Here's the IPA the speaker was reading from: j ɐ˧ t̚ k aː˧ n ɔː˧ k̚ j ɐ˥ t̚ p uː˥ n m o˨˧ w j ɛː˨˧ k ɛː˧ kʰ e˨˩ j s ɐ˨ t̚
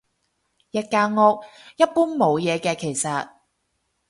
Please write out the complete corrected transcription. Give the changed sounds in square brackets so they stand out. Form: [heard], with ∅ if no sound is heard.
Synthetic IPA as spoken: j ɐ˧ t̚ k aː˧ [ŋ] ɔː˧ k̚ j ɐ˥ t̚ p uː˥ n m o˨˧ w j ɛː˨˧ k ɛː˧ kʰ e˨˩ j s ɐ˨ t̚

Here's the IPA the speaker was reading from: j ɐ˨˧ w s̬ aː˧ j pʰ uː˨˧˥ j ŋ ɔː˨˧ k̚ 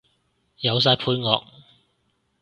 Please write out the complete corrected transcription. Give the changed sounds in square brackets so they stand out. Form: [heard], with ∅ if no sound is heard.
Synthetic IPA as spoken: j ɐ˨˧ w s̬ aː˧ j pʰ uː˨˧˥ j ŋ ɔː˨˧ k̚

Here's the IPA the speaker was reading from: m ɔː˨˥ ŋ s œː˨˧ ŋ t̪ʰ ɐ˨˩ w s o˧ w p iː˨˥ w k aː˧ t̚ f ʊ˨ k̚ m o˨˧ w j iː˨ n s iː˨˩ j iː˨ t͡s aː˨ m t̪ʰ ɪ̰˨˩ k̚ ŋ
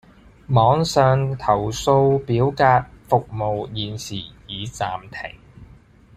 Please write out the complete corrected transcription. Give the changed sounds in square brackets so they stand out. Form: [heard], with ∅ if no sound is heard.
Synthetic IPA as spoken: m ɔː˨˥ ŋ s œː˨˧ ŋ t̪ʰ ɐ˨˩ w s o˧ w p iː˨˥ w k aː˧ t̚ f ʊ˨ k̚ m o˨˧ w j iː˨ n s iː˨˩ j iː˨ t͡s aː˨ m t̪ʰ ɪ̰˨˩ [∅] ŋ

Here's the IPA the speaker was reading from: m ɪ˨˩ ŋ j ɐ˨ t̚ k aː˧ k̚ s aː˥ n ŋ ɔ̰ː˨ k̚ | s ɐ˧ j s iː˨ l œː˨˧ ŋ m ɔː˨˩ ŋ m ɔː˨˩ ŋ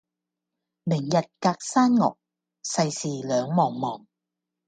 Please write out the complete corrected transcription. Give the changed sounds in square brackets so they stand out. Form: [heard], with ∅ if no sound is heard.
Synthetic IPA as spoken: m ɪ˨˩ ŋ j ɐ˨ t̚ k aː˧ k̚ s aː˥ n ŋ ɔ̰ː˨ k̚ | s ɐ˧ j s iː˨ l œː˨˧ ŋ m ɔː˨˩ ŋ m ɔː˨˩ ŋ

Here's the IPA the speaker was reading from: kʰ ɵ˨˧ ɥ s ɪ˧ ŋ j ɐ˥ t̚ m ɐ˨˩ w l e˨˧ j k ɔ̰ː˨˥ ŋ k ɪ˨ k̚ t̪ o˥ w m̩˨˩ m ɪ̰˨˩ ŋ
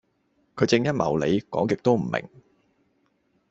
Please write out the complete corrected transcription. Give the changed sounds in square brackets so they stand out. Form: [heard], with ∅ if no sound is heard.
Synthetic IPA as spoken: kʰ ɵ˨˧ ɥ [t͡s] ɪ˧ ŋ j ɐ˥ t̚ m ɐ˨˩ w l e˨˧ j k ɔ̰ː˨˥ ŋ k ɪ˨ k̚ t̪ o˥ w m̩˨˩ m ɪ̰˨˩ ŋ

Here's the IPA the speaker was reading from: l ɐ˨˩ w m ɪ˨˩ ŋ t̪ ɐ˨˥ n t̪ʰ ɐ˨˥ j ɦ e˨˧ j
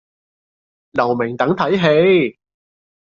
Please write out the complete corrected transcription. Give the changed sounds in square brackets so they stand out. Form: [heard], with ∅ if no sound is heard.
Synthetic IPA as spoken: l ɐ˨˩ w m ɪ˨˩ ŋ t̪ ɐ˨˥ [ŋ] t̪ʰ ɐ˨˥ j ɦ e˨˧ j

